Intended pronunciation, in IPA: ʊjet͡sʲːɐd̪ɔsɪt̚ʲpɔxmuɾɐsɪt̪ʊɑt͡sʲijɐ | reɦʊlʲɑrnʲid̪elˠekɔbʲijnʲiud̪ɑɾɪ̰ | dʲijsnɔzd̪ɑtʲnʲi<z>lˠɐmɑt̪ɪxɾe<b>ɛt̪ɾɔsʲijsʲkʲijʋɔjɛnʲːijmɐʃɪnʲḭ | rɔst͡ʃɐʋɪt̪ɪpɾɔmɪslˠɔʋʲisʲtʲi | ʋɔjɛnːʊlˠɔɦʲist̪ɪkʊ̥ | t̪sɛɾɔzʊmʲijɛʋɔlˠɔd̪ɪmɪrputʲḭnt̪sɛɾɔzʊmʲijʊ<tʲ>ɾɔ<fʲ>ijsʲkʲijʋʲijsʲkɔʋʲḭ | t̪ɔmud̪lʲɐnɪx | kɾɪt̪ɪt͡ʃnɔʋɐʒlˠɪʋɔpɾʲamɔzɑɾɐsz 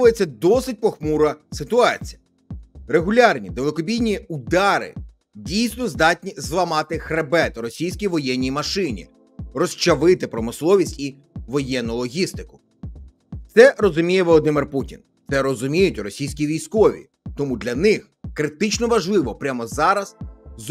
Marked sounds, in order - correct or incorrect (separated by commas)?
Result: correct, correct, correct, incorrect